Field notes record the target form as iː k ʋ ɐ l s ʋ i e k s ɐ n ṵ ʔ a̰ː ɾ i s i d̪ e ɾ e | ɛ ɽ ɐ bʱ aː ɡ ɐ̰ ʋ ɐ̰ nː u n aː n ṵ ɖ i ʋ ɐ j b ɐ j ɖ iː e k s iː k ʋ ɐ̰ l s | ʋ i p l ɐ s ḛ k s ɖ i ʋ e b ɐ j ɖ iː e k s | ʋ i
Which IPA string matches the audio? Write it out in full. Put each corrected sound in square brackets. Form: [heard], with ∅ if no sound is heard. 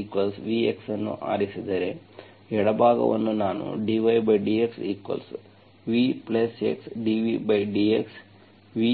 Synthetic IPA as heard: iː k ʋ ɐ l s ʋ i e k s ɐ [nː] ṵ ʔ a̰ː ɾ i s i d̪ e ɾ e | ɛ ɽ ɐ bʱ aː ɡ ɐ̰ ʋ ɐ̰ nː u n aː n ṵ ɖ i ʋ ɐ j b ɐ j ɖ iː e k s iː k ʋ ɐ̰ l s | ʋ i p l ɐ s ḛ k s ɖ i ʋ [i] b ɐ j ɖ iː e k s | ʋ i